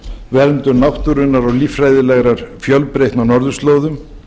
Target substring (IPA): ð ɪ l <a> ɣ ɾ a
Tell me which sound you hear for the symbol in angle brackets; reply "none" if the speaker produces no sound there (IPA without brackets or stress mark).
ɛ